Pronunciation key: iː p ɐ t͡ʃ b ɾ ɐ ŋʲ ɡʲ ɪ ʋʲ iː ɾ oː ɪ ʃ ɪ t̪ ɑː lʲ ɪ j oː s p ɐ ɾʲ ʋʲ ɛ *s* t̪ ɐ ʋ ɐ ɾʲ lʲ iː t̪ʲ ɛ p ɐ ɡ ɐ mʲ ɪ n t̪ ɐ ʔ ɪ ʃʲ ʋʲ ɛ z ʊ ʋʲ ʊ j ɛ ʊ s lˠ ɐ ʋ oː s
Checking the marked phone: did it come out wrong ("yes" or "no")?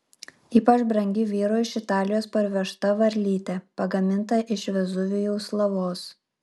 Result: yes